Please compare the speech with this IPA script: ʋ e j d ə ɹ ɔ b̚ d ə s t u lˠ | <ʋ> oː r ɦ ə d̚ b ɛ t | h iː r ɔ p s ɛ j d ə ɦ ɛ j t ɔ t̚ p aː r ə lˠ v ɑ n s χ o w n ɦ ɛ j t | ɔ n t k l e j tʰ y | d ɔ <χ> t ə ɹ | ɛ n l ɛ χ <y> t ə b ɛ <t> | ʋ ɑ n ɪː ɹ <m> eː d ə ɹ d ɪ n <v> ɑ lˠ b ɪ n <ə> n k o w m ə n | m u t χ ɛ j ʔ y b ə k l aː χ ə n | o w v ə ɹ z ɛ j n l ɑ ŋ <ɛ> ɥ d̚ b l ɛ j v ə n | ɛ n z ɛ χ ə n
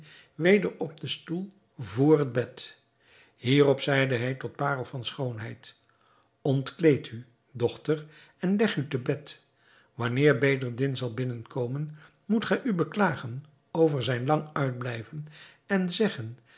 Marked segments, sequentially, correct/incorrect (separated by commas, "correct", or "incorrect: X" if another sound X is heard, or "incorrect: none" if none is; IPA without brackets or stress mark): incorrect: v, correct, correct, correct, incorrect: b, incorrect: z, correct, incorrect: œ